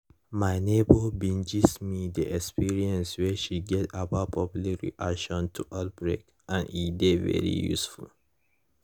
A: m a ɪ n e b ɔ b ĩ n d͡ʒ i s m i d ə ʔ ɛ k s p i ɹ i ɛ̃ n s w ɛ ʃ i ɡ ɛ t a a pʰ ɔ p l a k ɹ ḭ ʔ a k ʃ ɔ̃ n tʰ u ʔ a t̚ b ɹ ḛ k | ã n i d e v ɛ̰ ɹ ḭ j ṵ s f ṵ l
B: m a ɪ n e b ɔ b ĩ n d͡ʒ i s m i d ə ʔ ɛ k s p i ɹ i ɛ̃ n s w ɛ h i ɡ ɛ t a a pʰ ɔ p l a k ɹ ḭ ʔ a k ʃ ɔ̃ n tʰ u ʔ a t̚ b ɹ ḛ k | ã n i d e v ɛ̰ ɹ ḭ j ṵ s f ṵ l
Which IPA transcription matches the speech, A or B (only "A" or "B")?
A